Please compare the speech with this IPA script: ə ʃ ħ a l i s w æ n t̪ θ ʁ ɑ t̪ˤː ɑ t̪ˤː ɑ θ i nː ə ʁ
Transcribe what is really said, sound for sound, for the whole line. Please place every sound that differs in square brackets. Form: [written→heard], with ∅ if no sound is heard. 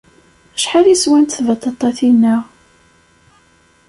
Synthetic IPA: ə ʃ ħ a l i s w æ n t̪ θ [ʁ→v] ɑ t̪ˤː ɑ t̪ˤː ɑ θ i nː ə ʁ